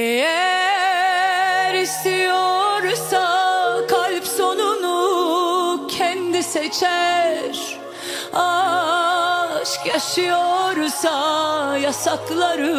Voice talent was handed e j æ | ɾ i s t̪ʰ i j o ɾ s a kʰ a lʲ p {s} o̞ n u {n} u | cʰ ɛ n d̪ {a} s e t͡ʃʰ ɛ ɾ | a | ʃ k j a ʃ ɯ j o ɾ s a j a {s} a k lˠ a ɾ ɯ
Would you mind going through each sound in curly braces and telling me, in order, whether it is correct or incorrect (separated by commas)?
correct, correct, incorrect, correct